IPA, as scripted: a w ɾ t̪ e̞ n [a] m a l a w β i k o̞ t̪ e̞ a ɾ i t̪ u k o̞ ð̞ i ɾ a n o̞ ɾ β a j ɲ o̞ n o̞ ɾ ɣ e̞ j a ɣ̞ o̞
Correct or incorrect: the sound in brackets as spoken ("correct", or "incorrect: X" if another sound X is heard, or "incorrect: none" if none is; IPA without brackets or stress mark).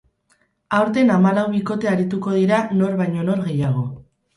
correct